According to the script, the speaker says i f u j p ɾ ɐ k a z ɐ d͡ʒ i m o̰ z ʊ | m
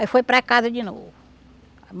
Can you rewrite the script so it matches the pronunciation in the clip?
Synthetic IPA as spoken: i f o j p ɾ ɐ k a z ɐ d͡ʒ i n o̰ v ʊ | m